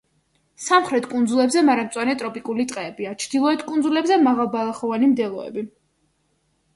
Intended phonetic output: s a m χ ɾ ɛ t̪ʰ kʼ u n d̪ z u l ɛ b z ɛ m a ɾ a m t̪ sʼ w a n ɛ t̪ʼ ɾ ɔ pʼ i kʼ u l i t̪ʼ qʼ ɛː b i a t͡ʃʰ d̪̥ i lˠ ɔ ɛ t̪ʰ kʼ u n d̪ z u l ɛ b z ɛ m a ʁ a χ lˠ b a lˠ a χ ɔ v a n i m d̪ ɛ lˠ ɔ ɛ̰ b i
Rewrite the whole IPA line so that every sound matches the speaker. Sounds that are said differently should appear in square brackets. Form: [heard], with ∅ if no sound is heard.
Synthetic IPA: s a m χ ɾ ɛ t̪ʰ kʼ u n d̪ z u l ɛ b z ɛ m a ɾ a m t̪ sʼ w a n ɛ t̪ʼ ɾ ɔ pʼ i kʼ u l i t̪ʼ qʼ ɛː b i a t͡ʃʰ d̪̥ i lˠ ɔ ɛ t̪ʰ kʼ u n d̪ z u l ɛ b z ɛ m a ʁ a [∅] lˠ b a lˠ a χ ɔ v a n i m d̪ ɛ lˠ ɔ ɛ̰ b i